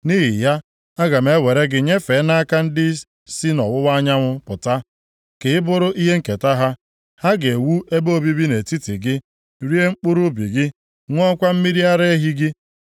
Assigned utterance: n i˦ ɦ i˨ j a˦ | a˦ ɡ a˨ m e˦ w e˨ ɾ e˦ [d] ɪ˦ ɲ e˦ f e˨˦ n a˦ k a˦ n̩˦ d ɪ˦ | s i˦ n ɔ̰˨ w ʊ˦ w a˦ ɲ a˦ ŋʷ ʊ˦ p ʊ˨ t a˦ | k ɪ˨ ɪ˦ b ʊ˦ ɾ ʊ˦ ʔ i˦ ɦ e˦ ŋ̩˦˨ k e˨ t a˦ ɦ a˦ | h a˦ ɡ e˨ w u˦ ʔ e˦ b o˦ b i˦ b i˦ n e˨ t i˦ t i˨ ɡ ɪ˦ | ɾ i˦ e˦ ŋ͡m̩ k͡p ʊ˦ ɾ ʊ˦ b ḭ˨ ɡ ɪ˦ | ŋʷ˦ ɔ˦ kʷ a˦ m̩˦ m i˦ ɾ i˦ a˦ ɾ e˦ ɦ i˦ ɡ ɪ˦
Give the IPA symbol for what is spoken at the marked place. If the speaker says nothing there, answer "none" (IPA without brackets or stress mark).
ɡ